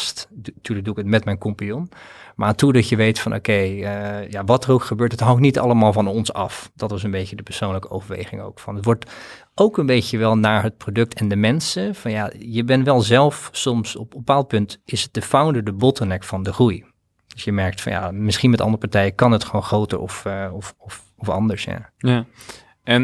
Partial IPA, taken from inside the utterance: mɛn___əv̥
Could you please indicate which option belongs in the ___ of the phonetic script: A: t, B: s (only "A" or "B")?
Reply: B